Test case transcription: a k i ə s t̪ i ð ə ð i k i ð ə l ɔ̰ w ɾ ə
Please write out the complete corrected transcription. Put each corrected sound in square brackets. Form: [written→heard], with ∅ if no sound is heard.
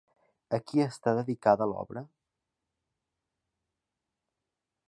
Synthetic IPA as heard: [a→ə] k i ə s t̪ [i→a] ð ə ð i k [i→a] ð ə l ɔ̰ [w→β] ɾ ə